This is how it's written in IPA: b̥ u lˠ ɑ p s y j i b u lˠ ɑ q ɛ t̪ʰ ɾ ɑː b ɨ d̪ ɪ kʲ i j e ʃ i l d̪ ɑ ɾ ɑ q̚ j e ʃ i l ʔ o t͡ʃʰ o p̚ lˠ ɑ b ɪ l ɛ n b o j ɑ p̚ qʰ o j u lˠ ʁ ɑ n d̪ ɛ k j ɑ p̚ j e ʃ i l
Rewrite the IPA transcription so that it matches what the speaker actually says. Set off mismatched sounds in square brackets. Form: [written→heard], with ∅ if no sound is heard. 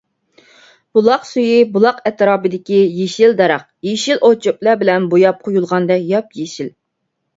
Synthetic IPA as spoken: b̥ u lˠ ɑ [p→q] s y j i b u lˠ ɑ q ɛ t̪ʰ ɾ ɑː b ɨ d̪ ɪ kʲ i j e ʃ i l d̪ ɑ ɾ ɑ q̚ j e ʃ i l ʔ o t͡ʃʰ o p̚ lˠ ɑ b ɪ l ɛ n b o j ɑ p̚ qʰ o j u lˠ ʁ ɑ n d̪ ɛ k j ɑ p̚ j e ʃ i l